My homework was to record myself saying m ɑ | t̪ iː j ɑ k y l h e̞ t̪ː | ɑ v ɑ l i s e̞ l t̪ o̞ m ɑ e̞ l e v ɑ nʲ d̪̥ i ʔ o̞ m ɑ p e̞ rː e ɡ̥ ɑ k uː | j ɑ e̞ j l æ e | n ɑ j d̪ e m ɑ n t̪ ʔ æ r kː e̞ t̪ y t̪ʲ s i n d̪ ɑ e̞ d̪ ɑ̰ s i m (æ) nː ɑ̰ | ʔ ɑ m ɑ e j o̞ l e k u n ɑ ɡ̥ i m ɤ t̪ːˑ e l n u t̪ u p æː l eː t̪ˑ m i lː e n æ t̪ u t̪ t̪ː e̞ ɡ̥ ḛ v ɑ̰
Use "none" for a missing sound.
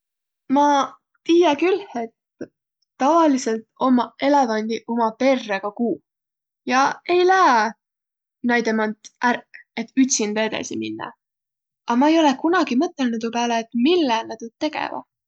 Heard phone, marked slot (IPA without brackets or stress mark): i